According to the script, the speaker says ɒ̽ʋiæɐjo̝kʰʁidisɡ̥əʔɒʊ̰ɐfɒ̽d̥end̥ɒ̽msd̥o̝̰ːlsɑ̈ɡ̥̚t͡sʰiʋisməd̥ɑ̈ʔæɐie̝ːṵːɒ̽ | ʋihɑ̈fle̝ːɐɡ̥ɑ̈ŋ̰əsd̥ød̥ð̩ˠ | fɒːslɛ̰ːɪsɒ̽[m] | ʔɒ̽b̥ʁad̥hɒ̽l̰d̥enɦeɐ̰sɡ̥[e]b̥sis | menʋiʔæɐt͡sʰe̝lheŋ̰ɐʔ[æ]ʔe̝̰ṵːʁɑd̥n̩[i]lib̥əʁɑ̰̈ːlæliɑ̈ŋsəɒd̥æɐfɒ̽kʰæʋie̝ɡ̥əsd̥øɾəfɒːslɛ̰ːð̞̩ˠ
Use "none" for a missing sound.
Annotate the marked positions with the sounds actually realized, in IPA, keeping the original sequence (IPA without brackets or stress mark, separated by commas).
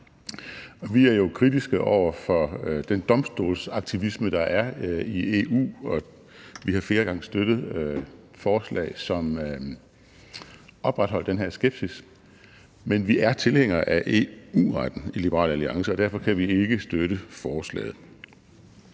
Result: m, e, æ, i